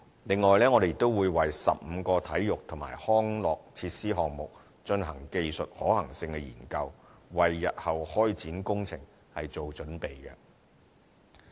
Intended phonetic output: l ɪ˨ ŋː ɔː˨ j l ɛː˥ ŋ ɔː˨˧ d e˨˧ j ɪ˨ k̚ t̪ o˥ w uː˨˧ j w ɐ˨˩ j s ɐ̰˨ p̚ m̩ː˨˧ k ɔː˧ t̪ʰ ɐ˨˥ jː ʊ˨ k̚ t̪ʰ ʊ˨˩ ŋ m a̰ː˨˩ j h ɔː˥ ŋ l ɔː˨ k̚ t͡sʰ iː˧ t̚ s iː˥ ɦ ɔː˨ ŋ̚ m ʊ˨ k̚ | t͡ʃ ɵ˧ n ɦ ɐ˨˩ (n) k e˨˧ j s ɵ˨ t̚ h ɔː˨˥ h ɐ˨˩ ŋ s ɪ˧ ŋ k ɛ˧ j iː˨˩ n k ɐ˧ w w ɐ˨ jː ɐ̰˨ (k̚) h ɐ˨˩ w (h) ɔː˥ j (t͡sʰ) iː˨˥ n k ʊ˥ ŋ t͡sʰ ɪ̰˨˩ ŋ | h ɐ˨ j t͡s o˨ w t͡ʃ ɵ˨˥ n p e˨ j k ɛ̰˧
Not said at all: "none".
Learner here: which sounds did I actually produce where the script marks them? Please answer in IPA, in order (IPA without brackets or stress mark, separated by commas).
ŋ, t̚, h, t͡s